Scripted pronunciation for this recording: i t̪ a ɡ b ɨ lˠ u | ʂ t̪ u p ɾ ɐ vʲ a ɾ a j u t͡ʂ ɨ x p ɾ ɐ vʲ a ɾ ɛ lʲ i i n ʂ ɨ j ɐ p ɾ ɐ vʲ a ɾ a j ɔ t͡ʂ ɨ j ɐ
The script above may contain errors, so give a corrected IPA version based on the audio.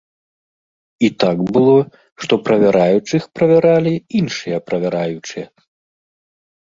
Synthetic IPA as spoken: i t̪ a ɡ b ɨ lˠ ɔ | ʂ t̪ ɔ p ɾ ɐ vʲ a ɾ a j u t͡ʂ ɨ x p ɾ ɐ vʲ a ɾ a lʲ i i n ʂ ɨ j ɐ p ɾ ɐ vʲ a ɾ a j u t͡ʂ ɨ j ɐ